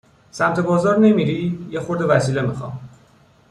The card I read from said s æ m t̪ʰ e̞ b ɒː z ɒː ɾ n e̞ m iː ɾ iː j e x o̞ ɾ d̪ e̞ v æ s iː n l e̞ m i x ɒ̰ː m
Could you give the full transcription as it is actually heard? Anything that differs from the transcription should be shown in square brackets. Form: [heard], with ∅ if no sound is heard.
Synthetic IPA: s æ m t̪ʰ e̞ b ɒː z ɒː ɾ n e̞ m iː ɾ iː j e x o̞ ɾ d̪ e̞ v æ s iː [∅] l e̞ m i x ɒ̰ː m